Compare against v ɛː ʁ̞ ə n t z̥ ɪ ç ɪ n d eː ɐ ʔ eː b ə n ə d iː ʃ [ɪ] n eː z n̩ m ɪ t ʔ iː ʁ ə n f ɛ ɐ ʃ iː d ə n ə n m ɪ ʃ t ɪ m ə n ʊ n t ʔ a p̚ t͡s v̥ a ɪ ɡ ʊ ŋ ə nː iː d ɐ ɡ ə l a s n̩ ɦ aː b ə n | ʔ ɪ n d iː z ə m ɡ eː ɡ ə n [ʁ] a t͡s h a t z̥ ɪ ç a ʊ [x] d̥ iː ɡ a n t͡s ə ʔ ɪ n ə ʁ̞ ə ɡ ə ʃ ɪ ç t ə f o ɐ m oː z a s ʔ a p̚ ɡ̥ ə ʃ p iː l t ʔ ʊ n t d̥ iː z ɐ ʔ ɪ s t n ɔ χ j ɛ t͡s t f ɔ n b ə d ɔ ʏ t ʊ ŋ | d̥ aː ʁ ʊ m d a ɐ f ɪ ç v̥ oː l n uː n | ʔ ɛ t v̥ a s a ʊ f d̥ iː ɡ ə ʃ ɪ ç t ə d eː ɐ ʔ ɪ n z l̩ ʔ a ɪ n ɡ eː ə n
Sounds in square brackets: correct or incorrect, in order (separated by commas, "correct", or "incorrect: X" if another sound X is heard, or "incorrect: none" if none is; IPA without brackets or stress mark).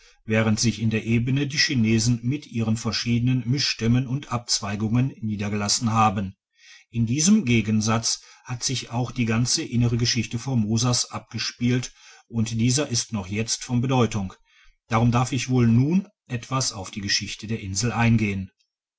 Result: incorrect: i, incorrect: z, correct